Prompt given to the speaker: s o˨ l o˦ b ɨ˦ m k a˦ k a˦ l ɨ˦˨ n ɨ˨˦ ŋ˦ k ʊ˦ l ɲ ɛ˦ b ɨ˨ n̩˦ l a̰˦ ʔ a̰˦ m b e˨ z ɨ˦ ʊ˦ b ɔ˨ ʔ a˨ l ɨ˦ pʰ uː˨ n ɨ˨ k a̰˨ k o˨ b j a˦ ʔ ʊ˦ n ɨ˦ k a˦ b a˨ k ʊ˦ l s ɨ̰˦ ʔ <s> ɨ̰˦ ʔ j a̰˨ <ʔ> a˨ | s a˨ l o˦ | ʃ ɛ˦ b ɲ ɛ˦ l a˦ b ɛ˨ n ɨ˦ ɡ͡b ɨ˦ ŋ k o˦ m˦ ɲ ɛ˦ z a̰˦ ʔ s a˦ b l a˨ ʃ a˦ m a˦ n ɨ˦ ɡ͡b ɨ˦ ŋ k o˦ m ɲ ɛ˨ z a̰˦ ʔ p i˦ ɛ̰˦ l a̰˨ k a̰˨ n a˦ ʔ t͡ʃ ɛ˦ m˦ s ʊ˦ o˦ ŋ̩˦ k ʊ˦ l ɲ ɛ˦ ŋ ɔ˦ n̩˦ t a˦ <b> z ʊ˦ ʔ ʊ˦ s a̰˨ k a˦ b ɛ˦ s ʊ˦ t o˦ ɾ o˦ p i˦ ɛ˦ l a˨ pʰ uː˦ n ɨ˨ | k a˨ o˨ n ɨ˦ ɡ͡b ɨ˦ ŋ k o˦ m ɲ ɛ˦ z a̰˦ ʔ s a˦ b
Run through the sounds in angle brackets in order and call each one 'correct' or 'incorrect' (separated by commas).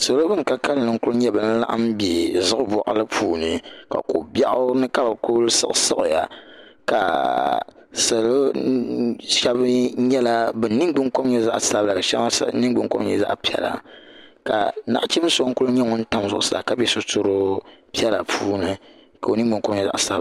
correct, incorrect, incorrect